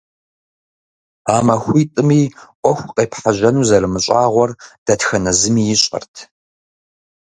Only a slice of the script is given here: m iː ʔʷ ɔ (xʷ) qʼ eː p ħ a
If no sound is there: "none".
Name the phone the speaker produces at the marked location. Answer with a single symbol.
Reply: xʷ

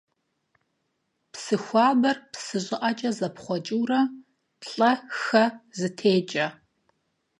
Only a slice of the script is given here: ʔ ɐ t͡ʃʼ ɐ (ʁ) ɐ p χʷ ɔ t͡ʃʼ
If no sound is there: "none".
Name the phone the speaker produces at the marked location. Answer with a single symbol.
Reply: z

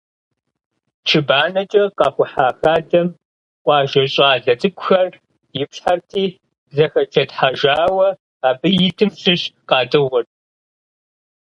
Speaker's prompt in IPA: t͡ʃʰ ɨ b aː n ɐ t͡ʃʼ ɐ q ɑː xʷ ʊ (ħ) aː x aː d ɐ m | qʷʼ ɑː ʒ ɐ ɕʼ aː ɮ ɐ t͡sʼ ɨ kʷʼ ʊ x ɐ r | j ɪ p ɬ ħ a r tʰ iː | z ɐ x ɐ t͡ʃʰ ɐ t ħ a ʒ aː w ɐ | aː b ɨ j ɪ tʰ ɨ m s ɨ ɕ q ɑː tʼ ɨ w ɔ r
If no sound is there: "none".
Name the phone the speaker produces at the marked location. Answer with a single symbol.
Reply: ħ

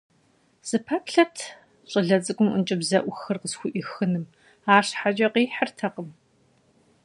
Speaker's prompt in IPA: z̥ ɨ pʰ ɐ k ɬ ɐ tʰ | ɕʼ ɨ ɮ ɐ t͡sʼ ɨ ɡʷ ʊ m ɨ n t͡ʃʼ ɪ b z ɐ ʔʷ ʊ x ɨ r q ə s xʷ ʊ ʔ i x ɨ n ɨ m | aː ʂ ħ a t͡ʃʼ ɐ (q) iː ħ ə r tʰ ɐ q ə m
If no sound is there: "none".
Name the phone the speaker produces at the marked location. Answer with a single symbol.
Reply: q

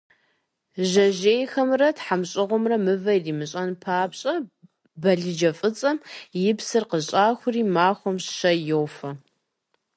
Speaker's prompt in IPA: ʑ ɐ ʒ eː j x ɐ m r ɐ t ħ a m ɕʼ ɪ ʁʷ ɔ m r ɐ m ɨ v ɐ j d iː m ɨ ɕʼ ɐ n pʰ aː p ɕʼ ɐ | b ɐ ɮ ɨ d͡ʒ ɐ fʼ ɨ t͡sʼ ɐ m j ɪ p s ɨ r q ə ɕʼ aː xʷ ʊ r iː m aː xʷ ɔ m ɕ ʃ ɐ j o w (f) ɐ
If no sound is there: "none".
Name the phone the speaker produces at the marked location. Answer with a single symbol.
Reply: f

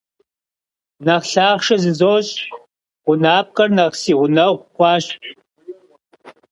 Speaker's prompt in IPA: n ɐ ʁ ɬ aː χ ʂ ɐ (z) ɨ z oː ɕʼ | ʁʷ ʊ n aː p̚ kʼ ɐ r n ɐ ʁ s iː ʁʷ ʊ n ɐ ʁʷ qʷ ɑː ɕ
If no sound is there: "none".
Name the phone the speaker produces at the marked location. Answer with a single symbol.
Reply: z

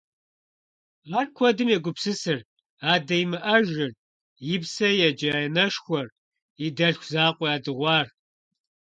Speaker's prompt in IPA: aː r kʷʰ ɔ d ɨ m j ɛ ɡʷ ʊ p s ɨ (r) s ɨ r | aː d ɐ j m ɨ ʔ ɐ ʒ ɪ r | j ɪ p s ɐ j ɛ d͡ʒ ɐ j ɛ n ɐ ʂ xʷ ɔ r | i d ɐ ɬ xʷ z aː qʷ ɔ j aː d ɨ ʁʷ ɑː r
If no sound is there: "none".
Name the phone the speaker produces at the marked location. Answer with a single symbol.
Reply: none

